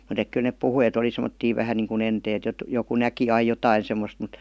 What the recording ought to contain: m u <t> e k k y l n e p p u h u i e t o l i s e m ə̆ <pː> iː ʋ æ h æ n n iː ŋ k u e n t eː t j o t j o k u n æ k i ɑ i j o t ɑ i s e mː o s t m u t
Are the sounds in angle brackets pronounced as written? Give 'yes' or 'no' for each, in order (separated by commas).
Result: yes, no